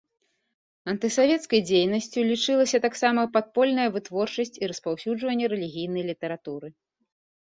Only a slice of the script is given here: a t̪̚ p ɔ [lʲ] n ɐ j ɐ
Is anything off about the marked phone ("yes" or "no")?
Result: no